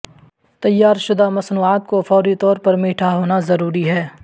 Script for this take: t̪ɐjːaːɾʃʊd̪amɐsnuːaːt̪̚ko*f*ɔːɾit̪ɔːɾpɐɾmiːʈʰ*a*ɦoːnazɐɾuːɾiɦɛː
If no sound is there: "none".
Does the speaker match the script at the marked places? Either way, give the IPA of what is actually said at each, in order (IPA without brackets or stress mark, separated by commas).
f, a